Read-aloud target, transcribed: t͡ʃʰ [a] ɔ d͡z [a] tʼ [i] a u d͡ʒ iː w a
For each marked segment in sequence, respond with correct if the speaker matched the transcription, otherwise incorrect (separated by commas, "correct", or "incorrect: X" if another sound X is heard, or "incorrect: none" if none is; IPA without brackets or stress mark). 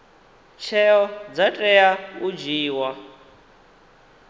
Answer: incorrect: ɛ, correct, incorrect: ɛ